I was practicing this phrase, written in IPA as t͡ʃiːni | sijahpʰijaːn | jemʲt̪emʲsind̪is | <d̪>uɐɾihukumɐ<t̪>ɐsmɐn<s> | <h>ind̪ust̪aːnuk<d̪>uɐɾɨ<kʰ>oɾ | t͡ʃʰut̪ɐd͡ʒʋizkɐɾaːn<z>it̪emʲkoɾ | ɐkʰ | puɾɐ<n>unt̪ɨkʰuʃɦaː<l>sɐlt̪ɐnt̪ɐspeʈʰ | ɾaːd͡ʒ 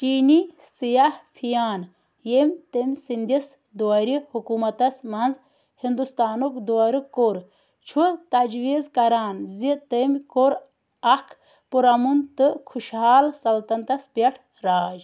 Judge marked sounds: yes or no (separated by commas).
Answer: yes, yes, no, yes, yes, no, yes, no, yes